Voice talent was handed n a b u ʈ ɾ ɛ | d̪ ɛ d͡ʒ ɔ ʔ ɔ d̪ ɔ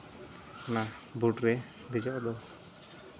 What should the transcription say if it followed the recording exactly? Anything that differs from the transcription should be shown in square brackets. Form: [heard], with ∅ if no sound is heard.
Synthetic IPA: n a b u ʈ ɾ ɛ | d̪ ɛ d͡ʒ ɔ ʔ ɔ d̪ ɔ